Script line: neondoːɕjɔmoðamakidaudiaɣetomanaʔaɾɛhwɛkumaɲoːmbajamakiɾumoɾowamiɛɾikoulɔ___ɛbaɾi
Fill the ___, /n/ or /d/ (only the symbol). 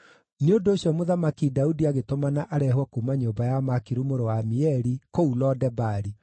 d